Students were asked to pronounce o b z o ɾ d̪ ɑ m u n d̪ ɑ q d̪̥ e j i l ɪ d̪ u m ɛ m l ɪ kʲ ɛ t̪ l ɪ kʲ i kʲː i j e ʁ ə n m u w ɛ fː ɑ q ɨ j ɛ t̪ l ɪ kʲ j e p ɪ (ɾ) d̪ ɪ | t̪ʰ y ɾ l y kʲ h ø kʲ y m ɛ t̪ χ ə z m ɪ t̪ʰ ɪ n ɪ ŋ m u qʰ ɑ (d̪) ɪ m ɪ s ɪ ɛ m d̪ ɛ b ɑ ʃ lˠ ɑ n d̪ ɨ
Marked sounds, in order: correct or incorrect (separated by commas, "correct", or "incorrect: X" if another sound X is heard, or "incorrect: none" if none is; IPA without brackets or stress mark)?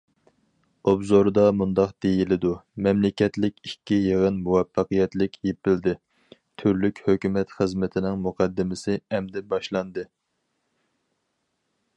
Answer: incorrect: l, incorrect: d̪ː